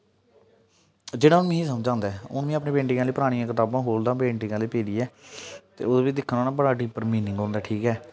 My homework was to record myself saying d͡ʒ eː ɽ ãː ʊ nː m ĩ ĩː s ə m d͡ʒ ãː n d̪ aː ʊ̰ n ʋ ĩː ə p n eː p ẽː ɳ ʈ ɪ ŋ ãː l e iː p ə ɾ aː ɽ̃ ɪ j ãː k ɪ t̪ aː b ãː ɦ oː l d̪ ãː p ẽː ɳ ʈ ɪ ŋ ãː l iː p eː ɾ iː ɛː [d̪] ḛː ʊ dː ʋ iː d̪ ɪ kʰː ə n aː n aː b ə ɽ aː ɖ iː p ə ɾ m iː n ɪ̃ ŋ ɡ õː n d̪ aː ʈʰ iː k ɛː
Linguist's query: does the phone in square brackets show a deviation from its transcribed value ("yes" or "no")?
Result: yes